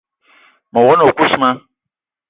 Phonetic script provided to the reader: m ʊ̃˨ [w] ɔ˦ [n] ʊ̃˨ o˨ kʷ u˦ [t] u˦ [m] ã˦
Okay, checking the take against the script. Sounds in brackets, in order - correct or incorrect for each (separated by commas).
correct, correct, incorrect, correct